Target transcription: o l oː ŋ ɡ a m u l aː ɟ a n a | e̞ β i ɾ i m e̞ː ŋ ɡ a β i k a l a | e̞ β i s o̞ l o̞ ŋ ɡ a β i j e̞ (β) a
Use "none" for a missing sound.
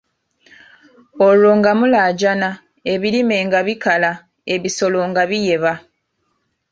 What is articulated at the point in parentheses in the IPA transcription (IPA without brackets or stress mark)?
β